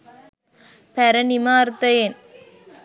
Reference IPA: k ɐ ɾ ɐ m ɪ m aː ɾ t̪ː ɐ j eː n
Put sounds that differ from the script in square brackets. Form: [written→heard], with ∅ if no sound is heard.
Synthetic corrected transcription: [k→p] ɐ ɾ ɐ [m→n] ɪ m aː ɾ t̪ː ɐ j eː n